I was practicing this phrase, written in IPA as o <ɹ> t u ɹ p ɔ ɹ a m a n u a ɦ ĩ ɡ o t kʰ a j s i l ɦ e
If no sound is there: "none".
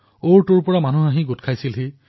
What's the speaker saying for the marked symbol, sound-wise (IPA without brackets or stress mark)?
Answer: ɹ